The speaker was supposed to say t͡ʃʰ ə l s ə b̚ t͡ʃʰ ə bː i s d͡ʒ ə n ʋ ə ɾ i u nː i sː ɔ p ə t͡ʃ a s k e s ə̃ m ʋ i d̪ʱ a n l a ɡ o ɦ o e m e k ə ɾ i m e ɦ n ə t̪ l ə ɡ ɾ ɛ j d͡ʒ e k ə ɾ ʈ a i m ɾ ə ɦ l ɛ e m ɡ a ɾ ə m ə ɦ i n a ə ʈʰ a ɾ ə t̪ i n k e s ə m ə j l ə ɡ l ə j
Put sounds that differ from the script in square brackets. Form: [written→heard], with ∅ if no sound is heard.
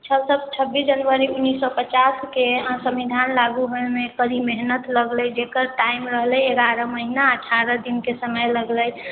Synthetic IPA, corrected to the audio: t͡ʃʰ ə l s ə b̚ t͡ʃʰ ə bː i s d͡ʒ ə n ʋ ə ɾ i u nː i sː ɔ p ə t͡ʃ a s k e s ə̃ m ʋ i d̪ʱ a n l a ɡ [o→u] ɦ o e m e k ə ɾ i m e ɦ n ə t̪ l ə ɡ [ɾ→l] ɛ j d͡ʒ e k ə ɾ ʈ a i m ɾ ə ɦ l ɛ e [m→∅] ɡ a ɾ ə m ə ɦ i n a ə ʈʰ a ɾ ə [t̪→d̪] i n k e s ə m ə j l ə ɡ l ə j